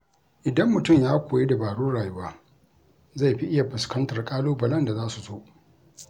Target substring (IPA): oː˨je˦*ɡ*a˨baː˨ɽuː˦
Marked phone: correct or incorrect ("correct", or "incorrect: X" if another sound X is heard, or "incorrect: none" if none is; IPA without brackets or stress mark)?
incorrect: d